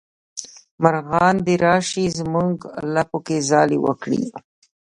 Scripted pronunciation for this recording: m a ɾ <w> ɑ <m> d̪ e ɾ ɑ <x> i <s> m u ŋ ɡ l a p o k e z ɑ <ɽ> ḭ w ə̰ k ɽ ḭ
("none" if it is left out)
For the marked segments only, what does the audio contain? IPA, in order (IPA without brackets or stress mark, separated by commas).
ɣ, n, ʃ, z, l